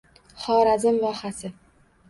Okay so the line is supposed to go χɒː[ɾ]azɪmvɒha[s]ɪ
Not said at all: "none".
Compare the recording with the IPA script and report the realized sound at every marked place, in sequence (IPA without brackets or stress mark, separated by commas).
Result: ɾ, s